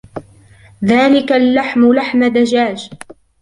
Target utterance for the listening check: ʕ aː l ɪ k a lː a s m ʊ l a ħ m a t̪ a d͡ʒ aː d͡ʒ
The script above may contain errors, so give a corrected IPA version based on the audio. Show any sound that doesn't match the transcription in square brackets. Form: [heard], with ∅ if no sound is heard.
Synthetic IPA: [ð] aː l ɪ k a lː a [ħ] m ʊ l a ħ m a [d̪] a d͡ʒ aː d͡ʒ